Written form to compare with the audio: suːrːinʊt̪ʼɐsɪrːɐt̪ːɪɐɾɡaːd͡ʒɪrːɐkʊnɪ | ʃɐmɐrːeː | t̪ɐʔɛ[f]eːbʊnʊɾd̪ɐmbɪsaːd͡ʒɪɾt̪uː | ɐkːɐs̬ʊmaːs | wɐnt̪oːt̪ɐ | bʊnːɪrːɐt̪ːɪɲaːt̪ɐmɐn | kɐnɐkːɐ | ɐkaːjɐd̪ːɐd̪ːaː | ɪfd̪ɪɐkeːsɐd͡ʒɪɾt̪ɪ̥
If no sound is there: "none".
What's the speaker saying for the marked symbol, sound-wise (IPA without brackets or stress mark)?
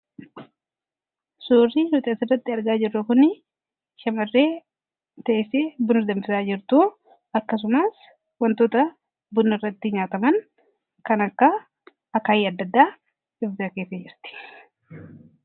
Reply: s